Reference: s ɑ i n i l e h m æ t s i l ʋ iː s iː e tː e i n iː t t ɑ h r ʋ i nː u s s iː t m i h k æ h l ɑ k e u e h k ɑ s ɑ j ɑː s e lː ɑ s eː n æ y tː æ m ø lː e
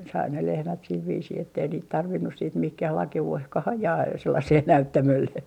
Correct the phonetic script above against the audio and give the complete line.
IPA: s ɑ i n e l e h m æ t s i l ʋ iː s iː e tː e i n iː t t ɑ r ʋ i nː u s s iː t m i h k æ h l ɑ k e u e h k ɑ h ɑ j ɑː s e lː ɑ s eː n æ y tː æ m ø lː e